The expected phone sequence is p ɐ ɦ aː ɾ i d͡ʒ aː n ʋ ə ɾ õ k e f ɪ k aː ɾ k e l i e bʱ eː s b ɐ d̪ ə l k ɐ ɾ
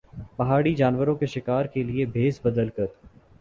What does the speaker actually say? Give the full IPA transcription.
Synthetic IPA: p ɐ ɦ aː ɽ i d͡ʒ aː n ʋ ə ɾ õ k e ʃ ɪ k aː ɾ k e l i e bʱ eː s b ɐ d̪ ə l k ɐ ɾ